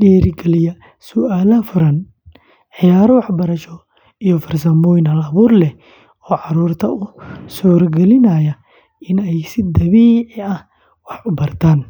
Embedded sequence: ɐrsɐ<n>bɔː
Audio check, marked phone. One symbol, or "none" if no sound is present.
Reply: m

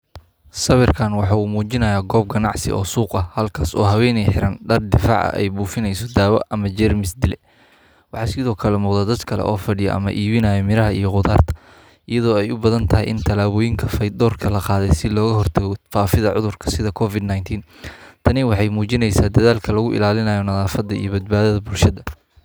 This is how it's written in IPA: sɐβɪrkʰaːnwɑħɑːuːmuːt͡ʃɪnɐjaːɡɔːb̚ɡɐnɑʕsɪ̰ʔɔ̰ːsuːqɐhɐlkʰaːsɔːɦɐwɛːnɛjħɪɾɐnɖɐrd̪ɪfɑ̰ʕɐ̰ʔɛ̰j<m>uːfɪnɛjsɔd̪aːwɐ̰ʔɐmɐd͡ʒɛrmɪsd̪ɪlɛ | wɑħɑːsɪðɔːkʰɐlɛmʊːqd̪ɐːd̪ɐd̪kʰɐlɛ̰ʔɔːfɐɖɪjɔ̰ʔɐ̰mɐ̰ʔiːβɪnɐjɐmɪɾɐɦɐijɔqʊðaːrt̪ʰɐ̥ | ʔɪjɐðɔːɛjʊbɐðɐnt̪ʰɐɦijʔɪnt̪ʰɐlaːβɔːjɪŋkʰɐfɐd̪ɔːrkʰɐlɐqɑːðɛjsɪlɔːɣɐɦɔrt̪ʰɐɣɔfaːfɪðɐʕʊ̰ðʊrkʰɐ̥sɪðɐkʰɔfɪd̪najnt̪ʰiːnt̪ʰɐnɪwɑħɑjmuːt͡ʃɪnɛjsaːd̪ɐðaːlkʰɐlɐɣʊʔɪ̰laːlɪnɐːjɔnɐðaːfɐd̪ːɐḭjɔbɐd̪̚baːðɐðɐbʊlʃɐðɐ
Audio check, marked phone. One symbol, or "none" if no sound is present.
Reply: b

